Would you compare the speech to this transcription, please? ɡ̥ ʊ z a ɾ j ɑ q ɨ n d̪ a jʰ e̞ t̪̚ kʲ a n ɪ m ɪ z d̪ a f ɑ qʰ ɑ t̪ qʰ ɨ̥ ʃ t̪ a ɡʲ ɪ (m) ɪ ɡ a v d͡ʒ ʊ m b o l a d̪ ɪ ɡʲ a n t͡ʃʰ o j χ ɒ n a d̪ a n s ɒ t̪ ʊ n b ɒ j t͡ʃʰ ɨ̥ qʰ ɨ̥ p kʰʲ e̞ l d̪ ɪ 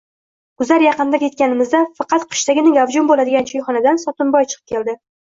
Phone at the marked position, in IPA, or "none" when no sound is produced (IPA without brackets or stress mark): n